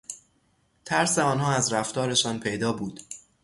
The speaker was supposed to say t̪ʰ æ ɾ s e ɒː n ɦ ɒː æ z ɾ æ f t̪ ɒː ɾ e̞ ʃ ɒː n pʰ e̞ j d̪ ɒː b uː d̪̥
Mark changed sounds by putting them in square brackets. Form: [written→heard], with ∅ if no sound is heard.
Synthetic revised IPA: t̪ʰ æ ɾ s e ɒː n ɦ ɒː æ z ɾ æ f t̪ ɒː ɾ e̞ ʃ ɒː n pʰ e̞ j d̪ ɒː b uː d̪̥